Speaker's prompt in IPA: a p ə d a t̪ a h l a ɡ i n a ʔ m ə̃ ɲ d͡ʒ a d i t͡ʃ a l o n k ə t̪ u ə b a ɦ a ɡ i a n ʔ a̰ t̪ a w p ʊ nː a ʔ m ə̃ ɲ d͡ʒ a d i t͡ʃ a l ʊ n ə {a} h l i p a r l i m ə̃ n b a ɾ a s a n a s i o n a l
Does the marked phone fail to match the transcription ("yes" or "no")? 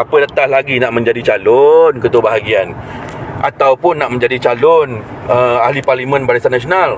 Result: no